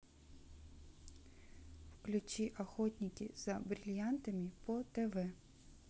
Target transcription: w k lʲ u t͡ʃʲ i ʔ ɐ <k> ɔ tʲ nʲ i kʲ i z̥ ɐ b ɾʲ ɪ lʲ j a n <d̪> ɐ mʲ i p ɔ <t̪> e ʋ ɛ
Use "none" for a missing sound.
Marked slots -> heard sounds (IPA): x, t̪, t̪

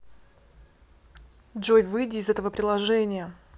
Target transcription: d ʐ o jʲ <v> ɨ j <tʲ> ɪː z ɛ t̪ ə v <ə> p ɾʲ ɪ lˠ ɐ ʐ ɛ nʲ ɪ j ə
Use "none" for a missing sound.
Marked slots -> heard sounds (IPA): v, dʲ, ə

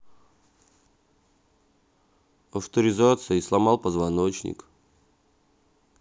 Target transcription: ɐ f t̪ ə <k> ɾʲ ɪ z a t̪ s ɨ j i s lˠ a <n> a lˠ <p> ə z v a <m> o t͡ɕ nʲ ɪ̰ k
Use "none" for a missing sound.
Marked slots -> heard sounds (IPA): none, m, p, n

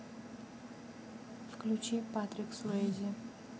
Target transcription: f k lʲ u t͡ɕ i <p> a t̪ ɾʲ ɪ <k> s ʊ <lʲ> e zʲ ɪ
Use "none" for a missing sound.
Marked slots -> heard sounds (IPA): p, k, none

